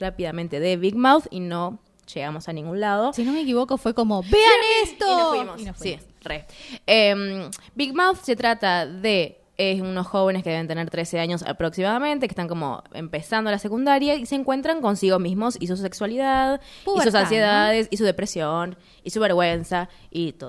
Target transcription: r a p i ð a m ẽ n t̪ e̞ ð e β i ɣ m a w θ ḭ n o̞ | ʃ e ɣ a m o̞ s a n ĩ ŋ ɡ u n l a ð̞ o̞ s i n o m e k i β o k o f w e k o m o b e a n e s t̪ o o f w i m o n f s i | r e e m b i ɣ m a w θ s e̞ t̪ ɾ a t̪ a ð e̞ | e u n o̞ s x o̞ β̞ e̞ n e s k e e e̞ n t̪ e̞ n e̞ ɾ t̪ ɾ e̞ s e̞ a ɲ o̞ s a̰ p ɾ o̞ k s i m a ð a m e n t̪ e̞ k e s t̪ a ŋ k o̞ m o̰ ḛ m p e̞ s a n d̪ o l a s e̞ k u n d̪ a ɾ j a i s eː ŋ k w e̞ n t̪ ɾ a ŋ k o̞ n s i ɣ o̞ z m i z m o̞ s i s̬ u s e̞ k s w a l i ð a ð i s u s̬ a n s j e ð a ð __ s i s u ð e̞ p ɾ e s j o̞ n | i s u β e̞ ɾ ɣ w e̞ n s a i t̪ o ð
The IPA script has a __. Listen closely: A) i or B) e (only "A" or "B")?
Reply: B